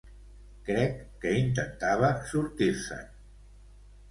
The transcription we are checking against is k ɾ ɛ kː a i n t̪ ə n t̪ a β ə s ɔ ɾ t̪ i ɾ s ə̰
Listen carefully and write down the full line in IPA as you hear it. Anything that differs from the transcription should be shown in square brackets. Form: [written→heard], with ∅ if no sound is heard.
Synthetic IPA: k ɾ ɛ kː [a→ə] i n t̪ ə n t̪ a β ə s [ɔ→u] ɾ t̪ i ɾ s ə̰